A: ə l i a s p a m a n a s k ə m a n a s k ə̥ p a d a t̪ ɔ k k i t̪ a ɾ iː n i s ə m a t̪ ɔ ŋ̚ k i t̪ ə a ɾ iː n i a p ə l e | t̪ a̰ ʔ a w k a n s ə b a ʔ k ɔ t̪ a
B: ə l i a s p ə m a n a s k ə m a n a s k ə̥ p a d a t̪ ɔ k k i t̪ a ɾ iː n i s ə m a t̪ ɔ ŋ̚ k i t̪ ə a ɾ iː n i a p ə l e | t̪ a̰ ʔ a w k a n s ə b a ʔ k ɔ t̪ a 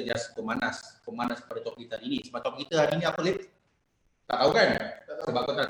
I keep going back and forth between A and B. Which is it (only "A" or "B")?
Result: B